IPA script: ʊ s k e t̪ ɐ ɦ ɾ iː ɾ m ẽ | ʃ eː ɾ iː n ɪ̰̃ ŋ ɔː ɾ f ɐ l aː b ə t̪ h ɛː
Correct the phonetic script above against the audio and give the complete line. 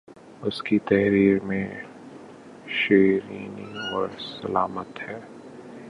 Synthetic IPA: ʊ s k i t̪ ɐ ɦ ɾ iː ɾ m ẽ | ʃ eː ɾ iː n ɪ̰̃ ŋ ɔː ɾ s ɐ l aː m ə t̪ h ɛː